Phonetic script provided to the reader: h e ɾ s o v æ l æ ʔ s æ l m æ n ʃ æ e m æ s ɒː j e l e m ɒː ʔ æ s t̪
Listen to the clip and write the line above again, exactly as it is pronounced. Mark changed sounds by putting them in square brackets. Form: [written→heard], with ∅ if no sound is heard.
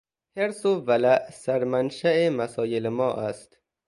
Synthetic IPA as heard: h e ɾ s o v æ l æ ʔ s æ [l→ɾ] m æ n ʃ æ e m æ s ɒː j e l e m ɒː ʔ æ s t̪